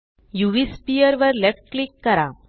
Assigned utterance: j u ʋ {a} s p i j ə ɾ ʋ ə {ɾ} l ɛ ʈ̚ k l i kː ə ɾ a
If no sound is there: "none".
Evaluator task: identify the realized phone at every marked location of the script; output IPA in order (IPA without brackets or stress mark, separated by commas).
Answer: i, ɾ